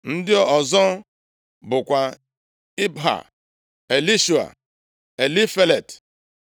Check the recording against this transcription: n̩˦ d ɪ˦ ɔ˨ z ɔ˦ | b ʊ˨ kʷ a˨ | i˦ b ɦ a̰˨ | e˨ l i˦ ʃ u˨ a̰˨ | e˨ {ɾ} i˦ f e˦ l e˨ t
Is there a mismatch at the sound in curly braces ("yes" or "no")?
yes